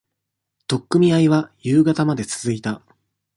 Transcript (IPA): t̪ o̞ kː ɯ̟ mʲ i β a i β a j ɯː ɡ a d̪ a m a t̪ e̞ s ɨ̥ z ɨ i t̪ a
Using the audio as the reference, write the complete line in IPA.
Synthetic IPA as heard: t̪ o̞ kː ɯ̟ mʲ i a i β a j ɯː ɡ a t̪ a m a d̪ e̞ t͡s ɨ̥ z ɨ i t̪ a